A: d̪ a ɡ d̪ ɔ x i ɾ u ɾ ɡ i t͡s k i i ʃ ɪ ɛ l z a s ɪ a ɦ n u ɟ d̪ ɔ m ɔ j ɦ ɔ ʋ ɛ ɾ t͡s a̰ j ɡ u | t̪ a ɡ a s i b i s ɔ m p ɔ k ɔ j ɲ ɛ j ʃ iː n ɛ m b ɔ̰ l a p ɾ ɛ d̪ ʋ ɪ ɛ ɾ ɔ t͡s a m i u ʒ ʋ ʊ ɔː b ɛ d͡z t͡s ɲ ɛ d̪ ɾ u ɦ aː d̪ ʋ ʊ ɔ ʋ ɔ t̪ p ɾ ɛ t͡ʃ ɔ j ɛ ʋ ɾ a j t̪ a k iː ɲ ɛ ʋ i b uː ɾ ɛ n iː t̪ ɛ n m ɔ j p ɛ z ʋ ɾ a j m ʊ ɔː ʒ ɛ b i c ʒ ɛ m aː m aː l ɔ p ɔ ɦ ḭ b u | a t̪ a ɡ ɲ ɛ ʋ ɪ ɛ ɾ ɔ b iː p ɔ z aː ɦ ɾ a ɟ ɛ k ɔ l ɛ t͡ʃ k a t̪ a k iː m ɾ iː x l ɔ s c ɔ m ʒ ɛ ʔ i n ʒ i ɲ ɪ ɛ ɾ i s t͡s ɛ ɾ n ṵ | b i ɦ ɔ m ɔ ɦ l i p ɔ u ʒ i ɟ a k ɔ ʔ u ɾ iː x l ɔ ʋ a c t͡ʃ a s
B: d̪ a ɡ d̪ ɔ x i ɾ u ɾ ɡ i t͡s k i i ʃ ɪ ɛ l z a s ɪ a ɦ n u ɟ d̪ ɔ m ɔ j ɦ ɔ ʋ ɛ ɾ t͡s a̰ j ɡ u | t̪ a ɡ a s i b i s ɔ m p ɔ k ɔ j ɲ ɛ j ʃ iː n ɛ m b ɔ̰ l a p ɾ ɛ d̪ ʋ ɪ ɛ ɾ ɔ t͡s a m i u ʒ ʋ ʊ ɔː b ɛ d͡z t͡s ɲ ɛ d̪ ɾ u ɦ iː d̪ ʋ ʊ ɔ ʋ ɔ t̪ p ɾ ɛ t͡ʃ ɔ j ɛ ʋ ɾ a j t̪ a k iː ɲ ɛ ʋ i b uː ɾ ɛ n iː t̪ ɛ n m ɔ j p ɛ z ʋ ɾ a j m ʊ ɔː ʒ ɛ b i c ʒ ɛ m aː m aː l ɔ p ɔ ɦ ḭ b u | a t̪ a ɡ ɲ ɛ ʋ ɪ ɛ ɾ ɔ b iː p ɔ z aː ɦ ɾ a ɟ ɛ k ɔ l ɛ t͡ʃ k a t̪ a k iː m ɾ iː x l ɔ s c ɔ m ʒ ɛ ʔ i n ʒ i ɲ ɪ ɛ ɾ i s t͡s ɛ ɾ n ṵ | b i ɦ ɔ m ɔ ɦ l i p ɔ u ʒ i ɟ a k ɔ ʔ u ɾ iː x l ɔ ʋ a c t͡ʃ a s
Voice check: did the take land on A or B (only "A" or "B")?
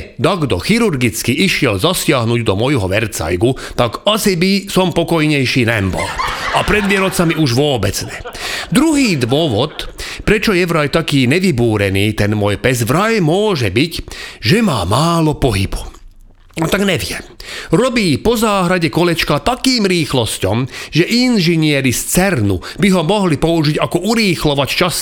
B